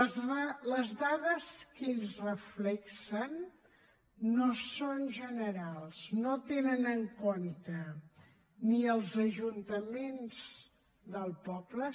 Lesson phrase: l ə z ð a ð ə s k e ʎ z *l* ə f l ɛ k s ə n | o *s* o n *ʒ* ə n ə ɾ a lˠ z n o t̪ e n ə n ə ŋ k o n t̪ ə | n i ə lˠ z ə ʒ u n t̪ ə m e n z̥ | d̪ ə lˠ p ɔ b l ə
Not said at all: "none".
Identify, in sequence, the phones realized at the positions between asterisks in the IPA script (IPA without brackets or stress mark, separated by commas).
r, s, ʒ